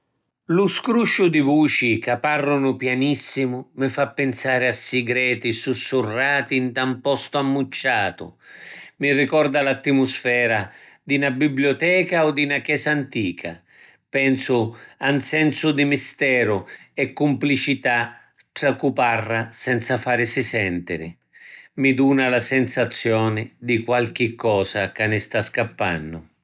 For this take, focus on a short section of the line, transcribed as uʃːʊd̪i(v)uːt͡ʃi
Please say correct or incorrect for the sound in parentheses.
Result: correct